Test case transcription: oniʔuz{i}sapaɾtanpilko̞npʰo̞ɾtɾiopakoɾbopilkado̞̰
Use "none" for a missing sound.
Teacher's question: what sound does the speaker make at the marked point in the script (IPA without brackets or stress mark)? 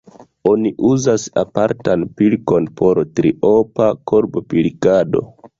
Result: a